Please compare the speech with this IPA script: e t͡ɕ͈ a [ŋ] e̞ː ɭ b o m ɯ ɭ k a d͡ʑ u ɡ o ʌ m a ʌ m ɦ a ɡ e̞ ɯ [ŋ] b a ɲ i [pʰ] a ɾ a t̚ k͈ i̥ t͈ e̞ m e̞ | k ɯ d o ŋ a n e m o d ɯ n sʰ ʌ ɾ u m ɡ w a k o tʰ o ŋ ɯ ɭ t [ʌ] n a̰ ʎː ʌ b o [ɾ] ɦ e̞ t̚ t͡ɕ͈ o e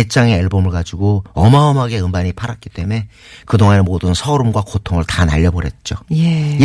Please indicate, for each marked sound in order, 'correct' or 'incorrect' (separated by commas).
correct, incorrect, correct, incorrect, correct